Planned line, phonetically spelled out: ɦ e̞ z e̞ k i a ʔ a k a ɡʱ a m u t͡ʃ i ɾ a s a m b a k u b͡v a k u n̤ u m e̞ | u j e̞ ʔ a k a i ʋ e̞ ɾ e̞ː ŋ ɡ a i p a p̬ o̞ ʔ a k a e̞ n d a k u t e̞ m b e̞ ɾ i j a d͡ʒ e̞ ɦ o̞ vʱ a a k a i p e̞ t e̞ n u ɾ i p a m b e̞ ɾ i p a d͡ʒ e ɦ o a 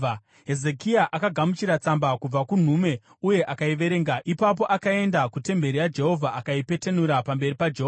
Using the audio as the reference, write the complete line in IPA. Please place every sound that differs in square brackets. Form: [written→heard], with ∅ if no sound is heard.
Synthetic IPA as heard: ɦ e̞ z e̞ k i a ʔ a k a ɡʱ a m u t͡ʃ i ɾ a [s→t͡s] a m b a k u b͡v a k u n̤ u m e̞ | u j e̞ ʔ a k a i ʋ e̞ ɾ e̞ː ŋ ɡ a i p a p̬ o̞ ʔ a k a e̞ n d a k u t e̞ m b e̞ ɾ i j a d͡ʒ e̞ ɦ o̞ vʱ a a k a i p e̞ t e̞ n u ɾ [i→a] p a m b e̞ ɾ i p a d͡ʒ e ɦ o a